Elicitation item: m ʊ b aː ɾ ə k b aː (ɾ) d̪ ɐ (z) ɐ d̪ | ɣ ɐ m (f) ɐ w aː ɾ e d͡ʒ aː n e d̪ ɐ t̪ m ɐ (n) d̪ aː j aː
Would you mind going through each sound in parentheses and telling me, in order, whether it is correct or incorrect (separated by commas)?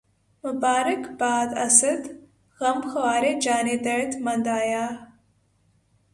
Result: incorrect, incorrect, incorrect, correct